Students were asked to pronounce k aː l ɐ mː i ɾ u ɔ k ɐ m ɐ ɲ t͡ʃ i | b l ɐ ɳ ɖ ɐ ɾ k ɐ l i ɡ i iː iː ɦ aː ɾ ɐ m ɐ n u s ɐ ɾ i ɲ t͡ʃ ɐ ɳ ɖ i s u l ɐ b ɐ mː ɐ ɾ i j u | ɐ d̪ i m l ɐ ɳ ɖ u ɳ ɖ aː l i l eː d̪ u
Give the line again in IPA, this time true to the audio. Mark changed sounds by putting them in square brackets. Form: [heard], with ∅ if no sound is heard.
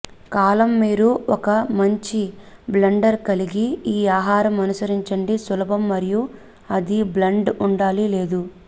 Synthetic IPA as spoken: k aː l ɐ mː [iː] ɾ u ɔ k ɐ m ɐ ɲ t͡ʃ i | b l ɐ ɳ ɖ ɐ ɾ k ɐ l i ɡ i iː [aː] ɦ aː ɾ ɐ m ɐ n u s ɐ ɾ i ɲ t͡ʃ ɐ ɳ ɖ i s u l ɐ b ɐ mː ɐ ɾ i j u | ɐ d̪ i [b] l ɐ ɳ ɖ u ɳ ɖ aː l i l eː d̪ u

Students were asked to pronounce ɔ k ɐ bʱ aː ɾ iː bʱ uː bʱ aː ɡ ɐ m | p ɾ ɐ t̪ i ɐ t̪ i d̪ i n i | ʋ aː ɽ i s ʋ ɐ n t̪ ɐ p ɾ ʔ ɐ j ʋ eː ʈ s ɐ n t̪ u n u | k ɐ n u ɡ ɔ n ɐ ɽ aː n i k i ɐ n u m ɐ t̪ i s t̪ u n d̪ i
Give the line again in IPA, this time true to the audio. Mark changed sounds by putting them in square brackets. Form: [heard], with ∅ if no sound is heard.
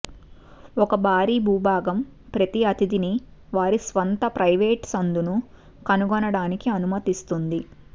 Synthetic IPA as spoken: ɔ k ɐ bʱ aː ɾ iː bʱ uː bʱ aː ɡ ɐ m | p ɾ ɐ t̪ i ɐ t̪ i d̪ i n i | ʋ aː [ɾ] i s ʋ ɐ n t̪ ɐ p ɾ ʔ ɐ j ʋ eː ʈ s ɐ n [d̪] u n u | k ɐ n u ɡ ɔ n ɐ ɽ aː n i k i ɐ n u m ɐ t̪ i s t̪ u n d̪ i

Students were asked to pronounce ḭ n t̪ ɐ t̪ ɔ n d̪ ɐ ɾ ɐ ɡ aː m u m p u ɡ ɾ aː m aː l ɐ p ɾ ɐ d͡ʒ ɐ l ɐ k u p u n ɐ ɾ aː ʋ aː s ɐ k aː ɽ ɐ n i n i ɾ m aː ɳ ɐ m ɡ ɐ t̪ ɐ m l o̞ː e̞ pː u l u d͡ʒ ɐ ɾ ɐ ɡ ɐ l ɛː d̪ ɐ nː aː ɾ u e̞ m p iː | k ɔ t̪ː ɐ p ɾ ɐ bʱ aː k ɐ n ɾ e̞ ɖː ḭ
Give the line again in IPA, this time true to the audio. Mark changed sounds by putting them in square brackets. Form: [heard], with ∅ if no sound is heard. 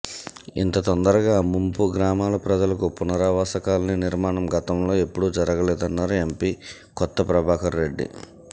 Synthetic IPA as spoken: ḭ n t̪ ɐ t̪ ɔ n d̪ ɐ ɾ ɐ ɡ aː m u m p u ɡ ɾ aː m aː l ɐ p ɾ ɐ d͡ʒ ɐ l ɐ k u p u n ɐ ɾ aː ʋ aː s ɐ k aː [l] ɐ n i n i ɾ m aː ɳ ɐ m ɡ ɐ t̪ ɐ m l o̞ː e̞ pː u [ɽ] u d͡ʒ ɐ ɾ ɐ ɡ ɐ l ɛː d̪ ɐ nː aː ɾ u e̞ m p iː | k ɔ t̪ː ɐ p ɾ ɐ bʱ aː k ɐ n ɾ e̞ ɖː ḭ

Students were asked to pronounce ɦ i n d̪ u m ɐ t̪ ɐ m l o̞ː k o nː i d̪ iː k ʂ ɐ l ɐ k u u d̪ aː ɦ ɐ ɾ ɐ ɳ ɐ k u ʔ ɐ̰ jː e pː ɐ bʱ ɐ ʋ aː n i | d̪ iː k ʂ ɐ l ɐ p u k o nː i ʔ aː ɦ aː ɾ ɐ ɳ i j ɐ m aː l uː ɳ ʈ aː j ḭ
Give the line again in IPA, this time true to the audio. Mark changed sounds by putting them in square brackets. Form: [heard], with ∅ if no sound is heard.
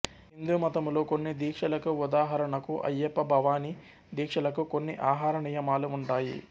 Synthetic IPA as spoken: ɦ i n d̪ u m ɐ t̪ ɐ m l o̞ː k o nː i d̪ iː k ʂ ɐ l ɐ k u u d̪ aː ɦ ɐ ɾ ɐ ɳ ɐ k u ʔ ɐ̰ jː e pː ɐ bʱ ɐ ʋ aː n i | d̪ iː k ʂ ɐ l ɐ [k] u k o nː i ʔ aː ɦ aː ɾ ɐ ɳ i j ɐ m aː l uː ɳ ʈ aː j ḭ

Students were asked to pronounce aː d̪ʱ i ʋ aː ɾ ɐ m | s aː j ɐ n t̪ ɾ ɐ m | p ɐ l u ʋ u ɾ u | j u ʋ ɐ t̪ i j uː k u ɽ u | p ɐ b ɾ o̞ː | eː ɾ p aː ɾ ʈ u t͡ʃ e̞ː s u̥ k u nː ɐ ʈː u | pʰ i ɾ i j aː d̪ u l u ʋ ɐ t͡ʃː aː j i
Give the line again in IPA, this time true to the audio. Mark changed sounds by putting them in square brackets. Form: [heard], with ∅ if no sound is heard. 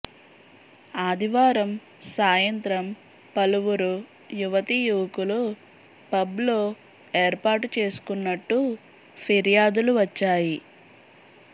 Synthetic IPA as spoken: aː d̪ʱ i ʋ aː ɾ ɐ m | s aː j ɐ n t̪ ɾ ɐ m | p ɐ l u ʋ u ɾ u | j u ʋ ɐ t̪ i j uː k u [l] u | p ɐ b [l] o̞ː | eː ɾ p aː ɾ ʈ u t͡ʃ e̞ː s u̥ k u nː ɐ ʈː u | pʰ i ɾ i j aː d̪ u l u ʋ ɐ t͡ʃː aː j i

